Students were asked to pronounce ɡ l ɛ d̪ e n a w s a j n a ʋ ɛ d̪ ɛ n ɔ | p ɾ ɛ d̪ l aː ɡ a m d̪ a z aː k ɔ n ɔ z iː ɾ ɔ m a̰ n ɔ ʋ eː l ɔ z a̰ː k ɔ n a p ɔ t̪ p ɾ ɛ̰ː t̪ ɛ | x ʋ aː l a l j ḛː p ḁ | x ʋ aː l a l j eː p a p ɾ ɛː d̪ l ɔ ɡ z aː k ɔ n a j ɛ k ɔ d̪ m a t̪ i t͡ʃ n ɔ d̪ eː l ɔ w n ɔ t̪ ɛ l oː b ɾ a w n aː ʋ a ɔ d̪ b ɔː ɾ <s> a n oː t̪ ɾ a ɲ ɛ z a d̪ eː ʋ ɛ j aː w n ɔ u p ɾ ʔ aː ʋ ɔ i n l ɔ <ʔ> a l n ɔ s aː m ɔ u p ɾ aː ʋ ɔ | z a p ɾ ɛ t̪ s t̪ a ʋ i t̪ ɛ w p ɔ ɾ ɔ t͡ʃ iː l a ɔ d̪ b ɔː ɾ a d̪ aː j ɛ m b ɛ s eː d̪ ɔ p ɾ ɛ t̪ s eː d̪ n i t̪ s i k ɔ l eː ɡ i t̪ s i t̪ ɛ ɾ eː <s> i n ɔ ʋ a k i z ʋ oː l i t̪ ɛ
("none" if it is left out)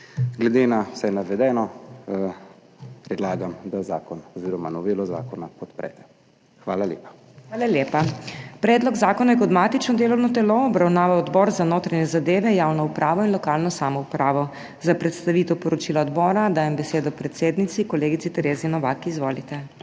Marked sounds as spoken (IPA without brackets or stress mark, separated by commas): z, k, z